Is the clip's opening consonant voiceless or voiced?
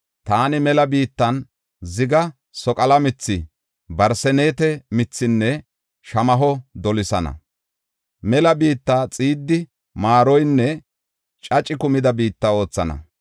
voiceless